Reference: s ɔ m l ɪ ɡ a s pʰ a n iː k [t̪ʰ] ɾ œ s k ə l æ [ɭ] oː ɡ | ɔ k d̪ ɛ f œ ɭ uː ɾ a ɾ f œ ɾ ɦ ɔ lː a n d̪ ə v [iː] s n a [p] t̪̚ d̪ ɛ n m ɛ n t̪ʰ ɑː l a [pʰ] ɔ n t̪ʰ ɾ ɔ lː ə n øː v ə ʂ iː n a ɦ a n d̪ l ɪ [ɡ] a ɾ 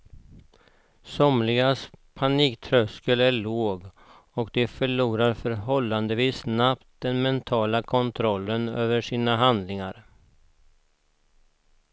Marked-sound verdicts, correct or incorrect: correct, correct, correct, correct, incorrect: kʰ, incorrect: ŋ

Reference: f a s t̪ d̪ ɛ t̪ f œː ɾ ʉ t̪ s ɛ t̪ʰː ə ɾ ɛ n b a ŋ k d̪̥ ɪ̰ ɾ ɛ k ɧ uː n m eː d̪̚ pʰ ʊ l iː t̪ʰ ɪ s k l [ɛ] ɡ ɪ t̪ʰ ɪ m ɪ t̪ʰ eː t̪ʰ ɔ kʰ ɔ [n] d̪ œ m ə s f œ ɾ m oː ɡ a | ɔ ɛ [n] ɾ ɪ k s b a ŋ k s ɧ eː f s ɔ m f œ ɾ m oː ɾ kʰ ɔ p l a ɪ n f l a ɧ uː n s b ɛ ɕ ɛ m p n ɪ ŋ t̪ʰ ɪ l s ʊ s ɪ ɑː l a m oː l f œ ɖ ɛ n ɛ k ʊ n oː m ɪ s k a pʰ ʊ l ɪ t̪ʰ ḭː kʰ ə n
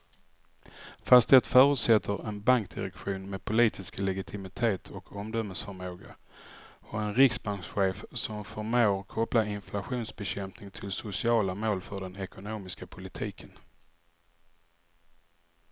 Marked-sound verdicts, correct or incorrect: correct, incorrect: m, correct

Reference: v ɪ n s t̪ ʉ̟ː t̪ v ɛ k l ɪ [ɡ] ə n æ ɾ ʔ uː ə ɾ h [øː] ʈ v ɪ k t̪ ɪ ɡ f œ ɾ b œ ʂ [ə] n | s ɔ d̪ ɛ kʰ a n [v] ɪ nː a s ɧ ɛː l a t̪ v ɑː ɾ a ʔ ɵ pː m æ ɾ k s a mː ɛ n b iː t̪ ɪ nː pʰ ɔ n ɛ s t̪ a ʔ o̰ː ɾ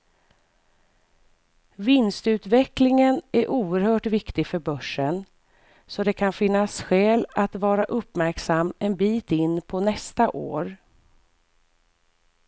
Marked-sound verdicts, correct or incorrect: incorrect: ŋ, incorrect: œː, correct, incorrect: f

